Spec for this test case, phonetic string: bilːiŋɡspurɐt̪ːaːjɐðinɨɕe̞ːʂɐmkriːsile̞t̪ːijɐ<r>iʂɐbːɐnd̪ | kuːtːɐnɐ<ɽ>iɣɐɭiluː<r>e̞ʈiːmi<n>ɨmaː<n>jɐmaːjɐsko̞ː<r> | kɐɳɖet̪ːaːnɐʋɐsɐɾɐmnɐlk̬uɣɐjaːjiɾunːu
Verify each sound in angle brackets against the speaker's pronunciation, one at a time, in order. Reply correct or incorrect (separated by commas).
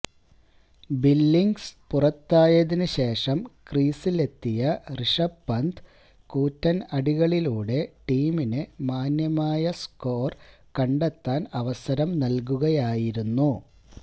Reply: correct, correct, incorrect, correct, correct, correct